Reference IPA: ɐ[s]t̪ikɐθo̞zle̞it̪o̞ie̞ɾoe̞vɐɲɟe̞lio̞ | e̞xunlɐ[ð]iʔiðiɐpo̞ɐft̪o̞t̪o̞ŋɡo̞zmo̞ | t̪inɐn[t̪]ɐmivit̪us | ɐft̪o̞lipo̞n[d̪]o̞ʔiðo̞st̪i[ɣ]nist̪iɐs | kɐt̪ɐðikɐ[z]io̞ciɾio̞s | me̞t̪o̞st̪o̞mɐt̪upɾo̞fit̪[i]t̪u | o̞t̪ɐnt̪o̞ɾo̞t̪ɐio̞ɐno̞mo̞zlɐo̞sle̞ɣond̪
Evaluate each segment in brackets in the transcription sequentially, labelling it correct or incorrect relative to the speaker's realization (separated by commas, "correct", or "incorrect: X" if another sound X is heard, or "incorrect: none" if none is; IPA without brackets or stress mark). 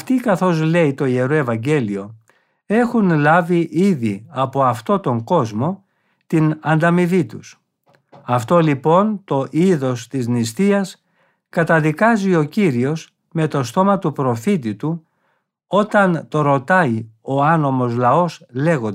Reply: incorrect: f, incorrect: v, incorrect: d̪, incorrect: t̪, incorrect: z, correct, correct